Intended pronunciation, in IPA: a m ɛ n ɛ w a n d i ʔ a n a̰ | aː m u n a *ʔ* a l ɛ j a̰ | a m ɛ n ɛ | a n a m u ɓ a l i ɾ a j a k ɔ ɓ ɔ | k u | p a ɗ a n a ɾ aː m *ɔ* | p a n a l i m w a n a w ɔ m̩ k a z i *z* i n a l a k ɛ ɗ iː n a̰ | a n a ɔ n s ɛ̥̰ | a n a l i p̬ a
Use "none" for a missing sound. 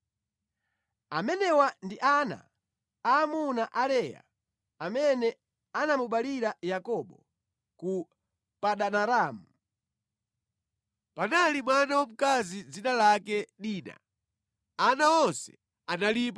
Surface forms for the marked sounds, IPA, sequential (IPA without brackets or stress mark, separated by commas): ʔ, u, d͡z